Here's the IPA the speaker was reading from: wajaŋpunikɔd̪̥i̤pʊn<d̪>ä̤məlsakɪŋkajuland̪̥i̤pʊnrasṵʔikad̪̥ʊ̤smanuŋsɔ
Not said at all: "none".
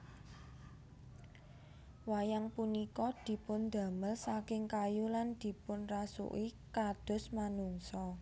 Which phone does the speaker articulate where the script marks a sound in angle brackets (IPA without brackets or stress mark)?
d̪